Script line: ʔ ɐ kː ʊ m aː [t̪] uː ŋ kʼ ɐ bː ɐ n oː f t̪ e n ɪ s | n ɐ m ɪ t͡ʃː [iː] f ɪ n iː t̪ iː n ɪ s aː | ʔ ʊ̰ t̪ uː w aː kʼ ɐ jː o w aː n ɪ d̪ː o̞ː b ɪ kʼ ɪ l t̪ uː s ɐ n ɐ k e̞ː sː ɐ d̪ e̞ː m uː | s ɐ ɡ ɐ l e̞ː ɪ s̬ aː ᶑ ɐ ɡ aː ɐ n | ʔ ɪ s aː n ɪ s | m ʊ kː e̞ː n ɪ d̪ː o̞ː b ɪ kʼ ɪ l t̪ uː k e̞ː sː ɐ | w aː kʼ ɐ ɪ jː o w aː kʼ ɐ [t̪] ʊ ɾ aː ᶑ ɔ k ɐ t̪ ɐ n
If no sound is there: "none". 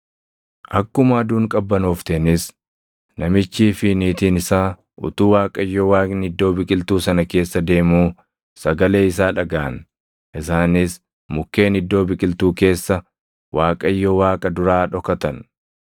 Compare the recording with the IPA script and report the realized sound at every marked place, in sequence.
d̪, iː, d̪

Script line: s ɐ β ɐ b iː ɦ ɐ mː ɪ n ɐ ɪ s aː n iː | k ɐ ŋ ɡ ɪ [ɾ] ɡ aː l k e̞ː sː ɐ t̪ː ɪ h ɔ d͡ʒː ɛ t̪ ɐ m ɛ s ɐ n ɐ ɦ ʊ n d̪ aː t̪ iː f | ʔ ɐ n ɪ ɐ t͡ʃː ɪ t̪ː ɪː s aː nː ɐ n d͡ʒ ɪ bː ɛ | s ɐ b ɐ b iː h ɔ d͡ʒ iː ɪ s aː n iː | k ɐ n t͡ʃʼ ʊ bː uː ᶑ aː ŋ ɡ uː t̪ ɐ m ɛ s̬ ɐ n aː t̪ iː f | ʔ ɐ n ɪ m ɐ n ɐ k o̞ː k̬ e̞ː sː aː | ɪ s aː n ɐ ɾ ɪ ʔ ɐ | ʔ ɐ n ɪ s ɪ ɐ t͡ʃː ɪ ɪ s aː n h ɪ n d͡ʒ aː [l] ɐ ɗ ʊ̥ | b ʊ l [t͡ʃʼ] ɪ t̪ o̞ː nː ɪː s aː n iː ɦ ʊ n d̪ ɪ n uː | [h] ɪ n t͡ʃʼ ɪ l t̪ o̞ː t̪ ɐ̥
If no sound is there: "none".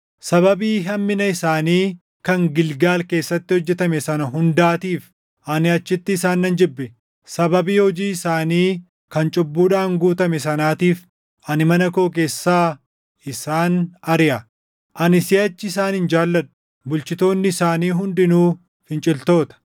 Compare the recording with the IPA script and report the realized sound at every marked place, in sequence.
l, lː, t͡ʃ, f

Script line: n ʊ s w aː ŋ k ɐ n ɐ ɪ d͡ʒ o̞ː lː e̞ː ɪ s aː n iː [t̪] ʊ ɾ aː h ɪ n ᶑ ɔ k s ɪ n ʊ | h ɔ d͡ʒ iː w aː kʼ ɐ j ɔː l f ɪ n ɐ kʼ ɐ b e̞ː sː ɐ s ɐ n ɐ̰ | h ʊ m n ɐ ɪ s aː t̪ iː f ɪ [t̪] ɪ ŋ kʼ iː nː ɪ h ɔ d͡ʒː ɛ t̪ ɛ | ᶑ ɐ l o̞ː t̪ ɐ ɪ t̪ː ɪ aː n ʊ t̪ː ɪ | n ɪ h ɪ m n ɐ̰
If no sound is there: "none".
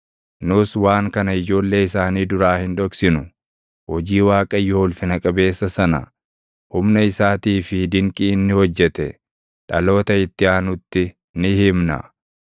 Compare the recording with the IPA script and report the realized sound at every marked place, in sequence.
d̪, d̪

